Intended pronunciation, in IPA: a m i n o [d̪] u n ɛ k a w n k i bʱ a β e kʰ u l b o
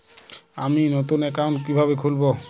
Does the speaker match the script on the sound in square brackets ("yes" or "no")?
no